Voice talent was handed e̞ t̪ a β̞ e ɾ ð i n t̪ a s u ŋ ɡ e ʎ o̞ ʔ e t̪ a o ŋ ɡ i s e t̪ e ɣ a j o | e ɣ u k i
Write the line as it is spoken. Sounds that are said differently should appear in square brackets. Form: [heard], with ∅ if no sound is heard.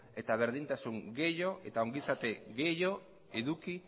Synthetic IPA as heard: e̞ t̪ a β̞ e ɾ ð i n t̪ a s u ŋ ɡ e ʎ o̞ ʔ e t̪ a o ŋ ɡ i s [a] t̪ e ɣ [e] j o | e [ð] u k i